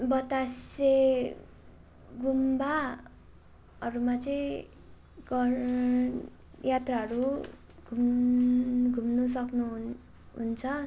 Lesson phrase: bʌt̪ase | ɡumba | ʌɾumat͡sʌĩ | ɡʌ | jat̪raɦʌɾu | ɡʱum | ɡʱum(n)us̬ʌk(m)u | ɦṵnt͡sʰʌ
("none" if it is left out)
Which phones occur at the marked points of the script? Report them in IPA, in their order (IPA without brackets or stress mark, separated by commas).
n, n